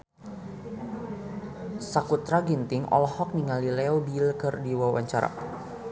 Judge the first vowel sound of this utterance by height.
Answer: low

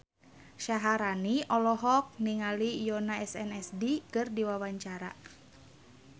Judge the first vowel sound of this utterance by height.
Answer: low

